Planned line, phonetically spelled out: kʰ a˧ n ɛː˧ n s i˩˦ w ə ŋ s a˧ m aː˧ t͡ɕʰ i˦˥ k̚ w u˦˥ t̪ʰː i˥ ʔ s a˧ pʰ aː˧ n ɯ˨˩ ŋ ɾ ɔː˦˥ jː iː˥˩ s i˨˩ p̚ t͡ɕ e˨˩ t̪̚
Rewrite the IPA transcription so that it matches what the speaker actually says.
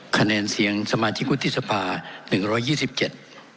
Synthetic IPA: kʰ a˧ n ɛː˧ n s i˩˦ ə ŋ s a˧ m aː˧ t͡ɕʰ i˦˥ k̚ w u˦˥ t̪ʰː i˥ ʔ s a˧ pʰ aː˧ n ɯ˨˩ ŋ ɾ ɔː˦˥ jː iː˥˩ s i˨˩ p̚ t͡ɕ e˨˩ t̪̚